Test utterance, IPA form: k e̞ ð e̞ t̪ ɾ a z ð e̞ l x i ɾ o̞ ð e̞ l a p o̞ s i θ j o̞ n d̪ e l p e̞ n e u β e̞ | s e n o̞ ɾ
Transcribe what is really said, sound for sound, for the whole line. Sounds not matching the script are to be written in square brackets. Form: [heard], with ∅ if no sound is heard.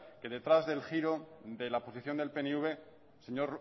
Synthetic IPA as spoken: k e̞ ð e̞ t̪ ɾ a z ð e̞ l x i ɾ o̞ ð e̞ l a p o̞ s i θ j o̞ n d̪ e l p e̞ n e u β e̞ | s e [ɲ] o̞ ɾ